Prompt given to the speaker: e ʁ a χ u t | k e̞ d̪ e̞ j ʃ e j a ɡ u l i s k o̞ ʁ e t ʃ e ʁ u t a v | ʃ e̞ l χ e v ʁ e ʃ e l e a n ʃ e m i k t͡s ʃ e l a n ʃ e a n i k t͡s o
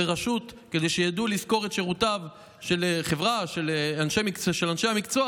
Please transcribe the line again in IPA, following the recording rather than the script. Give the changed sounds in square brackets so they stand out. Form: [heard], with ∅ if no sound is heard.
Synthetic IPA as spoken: e ʁ a [ʃ] u t | k e̞ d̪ e̞ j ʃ e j a [d] u l i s k o̞ ʁ e t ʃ e ʁ u t a v | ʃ e̞ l χ e v ʁ [a] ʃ e l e a n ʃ e m i k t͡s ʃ e l a n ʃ e a [m] i k t͡s o

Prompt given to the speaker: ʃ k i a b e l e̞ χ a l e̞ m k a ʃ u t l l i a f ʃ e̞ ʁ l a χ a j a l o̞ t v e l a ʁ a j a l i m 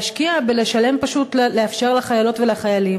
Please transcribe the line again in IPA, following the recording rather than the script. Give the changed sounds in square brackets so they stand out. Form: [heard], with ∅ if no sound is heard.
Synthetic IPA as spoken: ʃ k i a b e l e̞ [ʃ] a l e̞ m [p] a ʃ u t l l [e] a f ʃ e̞ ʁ l a χ a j a l o̞ t v e l a [χ] a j a l i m

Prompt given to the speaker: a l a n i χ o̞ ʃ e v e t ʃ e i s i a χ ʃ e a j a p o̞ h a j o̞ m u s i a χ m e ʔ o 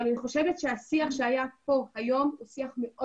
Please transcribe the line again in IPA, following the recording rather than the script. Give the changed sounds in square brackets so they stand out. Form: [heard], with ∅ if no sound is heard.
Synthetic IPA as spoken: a l a n i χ o̞ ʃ e v e t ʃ e [a] s i a χ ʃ e a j a p o̞ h a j o̞ m u s i a χ m e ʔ o

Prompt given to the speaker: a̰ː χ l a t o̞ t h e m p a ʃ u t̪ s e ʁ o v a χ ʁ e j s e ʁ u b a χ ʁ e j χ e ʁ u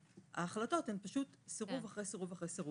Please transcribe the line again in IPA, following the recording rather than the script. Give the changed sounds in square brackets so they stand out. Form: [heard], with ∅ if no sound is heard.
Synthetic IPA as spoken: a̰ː χ l a t o̞ t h e m p a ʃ u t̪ s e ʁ [u] v a χ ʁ e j s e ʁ u [v] a χ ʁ e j [s] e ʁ u

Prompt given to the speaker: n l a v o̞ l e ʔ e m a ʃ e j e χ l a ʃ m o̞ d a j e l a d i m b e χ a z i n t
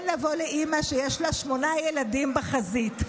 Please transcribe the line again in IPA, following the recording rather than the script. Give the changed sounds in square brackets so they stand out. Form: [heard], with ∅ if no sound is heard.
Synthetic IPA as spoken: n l a v o̞ l e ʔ [i] m a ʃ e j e [ʃ] l a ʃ m o̞ [n] a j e l a d i m b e χ a z i [∅] t

